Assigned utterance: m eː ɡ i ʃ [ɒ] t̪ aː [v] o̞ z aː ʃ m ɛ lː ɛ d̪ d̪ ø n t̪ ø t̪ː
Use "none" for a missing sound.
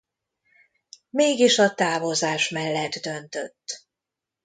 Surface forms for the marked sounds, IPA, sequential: ɒ, v

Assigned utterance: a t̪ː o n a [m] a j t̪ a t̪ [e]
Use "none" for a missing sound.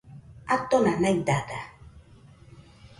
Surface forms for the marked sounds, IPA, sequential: n, a

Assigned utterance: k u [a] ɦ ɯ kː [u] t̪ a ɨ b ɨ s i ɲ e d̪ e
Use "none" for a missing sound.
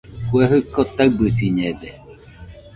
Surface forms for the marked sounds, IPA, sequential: e, o

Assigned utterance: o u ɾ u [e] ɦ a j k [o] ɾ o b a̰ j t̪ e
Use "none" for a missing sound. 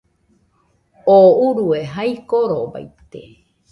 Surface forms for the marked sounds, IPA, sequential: e, o

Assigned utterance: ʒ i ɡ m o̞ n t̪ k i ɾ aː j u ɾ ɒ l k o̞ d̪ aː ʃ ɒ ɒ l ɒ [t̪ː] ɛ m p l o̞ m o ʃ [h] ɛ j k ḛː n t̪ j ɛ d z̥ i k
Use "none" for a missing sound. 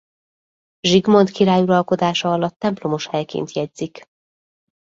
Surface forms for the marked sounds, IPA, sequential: t̪ː, h

